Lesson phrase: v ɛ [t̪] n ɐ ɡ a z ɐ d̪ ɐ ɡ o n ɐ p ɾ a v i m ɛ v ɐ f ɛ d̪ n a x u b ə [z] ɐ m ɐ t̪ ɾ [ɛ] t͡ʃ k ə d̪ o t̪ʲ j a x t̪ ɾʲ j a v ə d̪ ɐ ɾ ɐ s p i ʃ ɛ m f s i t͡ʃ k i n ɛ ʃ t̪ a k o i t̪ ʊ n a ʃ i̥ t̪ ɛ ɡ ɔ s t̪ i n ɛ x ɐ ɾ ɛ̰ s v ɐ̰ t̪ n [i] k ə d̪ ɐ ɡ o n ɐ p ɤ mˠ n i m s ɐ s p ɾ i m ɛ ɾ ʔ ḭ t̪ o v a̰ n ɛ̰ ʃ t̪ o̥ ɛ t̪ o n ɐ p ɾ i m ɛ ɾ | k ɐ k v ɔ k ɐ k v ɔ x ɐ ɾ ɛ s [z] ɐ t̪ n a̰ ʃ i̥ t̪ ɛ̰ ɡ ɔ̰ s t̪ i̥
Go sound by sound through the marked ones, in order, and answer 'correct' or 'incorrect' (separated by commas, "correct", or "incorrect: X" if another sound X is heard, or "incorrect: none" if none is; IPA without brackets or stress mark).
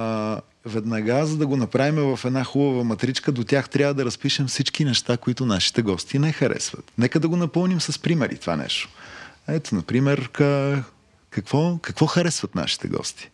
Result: incorrect: d̪, incorrect: v, incorrect: i, incorrect: ɛ, incorrect: v